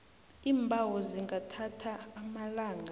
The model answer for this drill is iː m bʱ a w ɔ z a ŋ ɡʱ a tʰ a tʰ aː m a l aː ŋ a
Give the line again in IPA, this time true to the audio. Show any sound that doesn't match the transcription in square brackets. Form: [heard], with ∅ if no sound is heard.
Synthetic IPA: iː m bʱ a w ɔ z [i] ŋ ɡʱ a tʰ a tʰ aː m a l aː ŋ a